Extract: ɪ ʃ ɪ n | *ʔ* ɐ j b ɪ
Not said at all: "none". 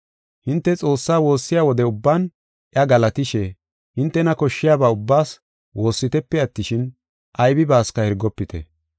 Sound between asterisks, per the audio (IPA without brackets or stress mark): ʔ